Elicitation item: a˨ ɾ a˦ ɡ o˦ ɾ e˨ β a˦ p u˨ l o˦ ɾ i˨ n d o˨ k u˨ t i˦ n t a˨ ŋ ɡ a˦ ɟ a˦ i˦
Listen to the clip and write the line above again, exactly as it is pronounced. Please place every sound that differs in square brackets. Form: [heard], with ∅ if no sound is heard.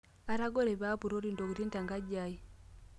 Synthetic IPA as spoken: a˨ ɾ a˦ ɡ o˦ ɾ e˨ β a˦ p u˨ [ɾ] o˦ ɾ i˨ n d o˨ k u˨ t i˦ n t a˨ ŋ ɡ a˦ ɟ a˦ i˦

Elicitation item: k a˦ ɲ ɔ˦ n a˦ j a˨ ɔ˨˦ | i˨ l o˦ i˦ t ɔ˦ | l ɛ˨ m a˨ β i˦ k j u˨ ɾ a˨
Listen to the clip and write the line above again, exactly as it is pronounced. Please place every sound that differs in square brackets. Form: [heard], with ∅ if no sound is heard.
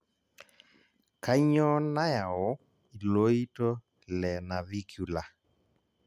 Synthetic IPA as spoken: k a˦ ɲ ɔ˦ n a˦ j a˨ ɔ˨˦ | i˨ l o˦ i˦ t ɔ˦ | l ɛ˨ [n] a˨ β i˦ k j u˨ [l] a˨

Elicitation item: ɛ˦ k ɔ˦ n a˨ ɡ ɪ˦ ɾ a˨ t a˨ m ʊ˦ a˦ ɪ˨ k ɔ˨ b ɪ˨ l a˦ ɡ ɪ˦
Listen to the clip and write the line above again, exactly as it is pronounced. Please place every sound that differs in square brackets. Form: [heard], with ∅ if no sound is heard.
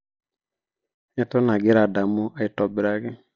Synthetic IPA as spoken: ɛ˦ [t] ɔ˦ n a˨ ɡ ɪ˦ ɾ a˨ [d] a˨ m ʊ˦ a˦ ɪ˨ [t] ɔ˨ b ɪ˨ [ɾ] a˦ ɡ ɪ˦

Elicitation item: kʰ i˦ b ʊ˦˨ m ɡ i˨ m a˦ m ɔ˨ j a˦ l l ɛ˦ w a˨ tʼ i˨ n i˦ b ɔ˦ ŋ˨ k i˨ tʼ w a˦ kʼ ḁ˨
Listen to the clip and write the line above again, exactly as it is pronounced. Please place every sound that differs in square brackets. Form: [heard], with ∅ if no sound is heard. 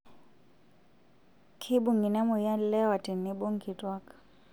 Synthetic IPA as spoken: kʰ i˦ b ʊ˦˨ [ŋ] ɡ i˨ [n] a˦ m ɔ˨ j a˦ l l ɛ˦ w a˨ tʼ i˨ n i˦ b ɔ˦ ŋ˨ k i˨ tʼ w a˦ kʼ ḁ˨

